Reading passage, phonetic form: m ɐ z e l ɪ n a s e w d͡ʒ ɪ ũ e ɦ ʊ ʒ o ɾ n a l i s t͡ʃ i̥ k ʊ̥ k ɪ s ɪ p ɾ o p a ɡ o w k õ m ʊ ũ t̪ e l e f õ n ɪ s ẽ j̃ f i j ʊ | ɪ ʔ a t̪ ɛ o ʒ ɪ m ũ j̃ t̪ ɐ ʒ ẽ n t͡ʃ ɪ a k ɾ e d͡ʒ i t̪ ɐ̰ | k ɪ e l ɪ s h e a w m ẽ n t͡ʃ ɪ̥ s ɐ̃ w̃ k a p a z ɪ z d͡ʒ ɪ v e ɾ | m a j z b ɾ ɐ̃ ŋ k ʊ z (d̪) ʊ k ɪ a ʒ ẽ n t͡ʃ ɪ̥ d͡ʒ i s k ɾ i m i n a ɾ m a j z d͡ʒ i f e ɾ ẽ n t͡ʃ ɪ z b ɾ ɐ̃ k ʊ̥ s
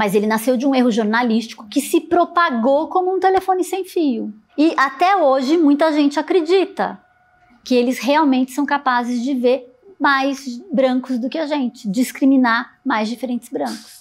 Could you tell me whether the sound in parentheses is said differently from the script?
no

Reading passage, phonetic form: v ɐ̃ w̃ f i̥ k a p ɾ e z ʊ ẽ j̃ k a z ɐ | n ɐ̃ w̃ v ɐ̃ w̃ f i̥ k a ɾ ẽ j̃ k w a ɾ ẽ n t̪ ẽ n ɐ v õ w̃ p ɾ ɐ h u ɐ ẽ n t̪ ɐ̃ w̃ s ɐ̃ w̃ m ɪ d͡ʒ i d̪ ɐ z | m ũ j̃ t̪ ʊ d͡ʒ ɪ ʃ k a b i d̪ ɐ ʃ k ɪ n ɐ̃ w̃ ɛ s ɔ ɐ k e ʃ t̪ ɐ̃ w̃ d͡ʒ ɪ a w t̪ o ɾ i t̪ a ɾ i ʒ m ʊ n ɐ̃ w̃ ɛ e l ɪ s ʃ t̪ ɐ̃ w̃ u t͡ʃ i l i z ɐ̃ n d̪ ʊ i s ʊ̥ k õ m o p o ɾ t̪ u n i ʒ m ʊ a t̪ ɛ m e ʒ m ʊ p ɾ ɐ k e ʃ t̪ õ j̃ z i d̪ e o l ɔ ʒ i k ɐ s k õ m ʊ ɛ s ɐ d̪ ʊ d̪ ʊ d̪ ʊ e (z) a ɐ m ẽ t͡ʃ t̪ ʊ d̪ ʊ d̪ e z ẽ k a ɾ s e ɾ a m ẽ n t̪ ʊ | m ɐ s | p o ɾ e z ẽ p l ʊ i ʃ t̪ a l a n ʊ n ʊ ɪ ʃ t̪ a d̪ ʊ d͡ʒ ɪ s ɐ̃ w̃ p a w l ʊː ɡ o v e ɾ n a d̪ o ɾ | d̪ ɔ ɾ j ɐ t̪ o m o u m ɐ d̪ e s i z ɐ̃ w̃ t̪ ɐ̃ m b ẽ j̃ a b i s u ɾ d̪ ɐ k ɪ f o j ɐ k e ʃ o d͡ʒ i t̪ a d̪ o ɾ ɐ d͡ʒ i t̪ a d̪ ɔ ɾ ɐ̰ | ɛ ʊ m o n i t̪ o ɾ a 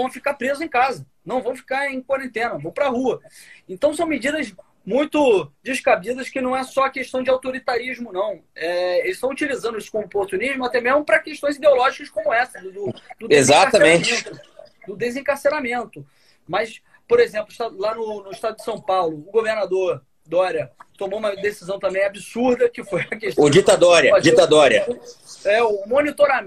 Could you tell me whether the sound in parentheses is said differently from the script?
no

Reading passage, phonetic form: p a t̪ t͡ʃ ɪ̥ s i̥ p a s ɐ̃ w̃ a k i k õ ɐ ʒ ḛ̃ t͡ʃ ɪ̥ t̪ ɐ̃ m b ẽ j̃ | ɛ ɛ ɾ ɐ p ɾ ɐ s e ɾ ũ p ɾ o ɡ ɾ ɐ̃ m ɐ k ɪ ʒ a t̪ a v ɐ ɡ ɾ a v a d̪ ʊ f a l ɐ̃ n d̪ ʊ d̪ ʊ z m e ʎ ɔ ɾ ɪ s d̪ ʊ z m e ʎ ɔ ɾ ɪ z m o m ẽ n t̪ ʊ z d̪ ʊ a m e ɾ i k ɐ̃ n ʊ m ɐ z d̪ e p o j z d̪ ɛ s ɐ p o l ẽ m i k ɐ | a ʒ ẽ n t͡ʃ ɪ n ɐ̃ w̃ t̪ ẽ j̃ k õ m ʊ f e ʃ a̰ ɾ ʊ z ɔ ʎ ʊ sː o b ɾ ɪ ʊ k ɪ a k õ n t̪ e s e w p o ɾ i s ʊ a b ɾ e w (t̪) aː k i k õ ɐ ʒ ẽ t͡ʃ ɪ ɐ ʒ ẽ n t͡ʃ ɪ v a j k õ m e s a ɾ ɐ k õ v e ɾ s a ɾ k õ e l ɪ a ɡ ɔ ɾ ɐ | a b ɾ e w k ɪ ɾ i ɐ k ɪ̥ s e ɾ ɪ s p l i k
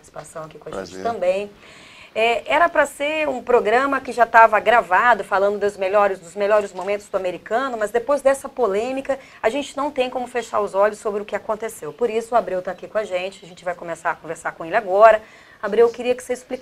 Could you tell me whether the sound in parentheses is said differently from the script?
no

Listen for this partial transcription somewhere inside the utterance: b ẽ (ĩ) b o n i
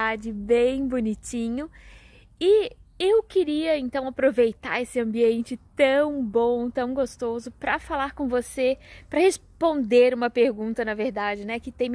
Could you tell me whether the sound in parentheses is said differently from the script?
yes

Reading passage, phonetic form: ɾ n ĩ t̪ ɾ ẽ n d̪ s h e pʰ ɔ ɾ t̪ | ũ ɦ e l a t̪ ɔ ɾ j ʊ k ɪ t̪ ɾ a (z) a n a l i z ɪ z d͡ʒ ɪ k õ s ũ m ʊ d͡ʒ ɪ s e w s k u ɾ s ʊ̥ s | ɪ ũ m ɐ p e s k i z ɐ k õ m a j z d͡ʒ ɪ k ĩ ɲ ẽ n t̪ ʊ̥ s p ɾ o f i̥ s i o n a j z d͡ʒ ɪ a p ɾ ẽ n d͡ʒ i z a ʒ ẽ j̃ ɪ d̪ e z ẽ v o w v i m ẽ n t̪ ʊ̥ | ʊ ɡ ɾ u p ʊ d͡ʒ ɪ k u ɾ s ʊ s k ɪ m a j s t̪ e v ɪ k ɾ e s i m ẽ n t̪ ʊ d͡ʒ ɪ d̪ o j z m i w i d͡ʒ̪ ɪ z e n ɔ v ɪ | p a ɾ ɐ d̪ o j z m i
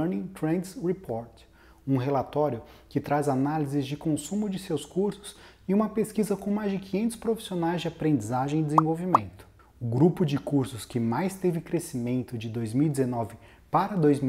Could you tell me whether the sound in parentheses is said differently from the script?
no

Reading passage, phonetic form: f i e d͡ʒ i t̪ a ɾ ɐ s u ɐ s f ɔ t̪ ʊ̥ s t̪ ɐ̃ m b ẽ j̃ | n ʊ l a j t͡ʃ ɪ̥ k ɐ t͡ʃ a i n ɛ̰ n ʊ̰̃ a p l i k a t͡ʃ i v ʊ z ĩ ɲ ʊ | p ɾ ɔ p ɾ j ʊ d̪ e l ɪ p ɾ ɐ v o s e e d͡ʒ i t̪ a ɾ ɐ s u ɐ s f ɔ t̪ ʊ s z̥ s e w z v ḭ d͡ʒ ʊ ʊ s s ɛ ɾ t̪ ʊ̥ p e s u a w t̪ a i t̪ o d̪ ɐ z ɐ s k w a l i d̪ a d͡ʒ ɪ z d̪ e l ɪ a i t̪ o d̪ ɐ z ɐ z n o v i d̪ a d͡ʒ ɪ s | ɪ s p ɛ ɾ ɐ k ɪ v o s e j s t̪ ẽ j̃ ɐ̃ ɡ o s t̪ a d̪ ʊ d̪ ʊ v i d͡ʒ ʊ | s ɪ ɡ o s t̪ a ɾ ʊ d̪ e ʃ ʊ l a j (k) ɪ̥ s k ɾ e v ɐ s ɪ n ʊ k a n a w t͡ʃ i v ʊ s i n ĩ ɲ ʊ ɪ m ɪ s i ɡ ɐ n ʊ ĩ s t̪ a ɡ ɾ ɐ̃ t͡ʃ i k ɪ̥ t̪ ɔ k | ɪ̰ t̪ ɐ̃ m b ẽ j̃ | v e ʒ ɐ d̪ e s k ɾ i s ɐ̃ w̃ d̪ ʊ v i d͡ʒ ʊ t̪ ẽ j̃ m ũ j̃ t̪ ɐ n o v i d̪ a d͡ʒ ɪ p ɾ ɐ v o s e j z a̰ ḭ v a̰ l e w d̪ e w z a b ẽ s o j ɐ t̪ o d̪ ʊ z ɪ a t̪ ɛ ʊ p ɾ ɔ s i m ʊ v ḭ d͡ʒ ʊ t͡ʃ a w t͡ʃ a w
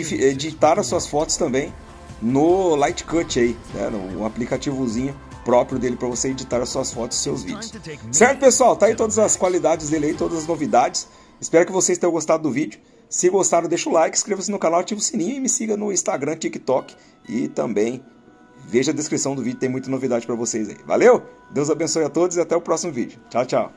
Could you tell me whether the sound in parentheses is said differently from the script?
no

